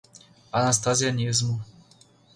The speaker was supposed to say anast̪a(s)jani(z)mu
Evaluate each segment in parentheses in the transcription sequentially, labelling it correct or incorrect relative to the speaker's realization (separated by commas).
incorrect, correct